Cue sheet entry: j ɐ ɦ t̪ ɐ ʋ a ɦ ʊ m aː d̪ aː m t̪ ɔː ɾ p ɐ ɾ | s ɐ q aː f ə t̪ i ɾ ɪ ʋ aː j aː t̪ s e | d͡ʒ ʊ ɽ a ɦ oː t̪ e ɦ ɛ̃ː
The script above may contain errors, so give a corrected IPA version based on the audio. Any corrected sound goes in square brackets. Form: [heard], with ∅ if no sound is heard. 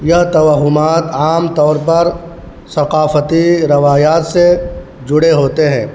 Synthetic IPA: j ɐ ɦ t̪ ɐ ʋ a ɦ ʊ m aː [t̪] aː m t̪ ɔː ɾ p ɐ ɾ | s ɐ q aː f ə t̪ i ɾ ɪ ʋ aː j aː t̪ s e | d͡ʒ ʊ ɽ [e] ɦ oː t̪ e ɦ ɛ̃ː